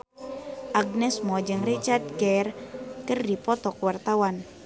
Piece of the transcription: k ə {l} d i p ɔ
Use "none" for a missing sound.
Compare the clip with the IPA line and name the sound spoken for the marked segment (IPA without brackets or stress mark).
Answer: r